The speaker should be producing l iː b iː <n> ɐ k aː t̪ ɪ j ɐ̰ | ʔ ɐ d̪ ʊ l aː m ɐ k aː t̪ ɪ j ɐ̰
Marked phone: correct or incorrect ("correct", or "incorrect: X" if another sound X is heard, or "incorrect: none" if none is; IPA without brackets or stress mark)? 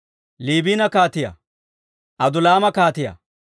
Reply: correct